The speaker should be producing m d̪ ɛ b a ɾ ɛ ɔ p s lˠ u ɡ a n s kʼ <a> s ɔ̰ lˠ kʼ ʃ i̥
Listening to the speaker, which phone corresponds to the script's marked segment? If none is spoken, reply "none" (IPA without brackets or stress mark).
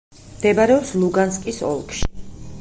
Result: i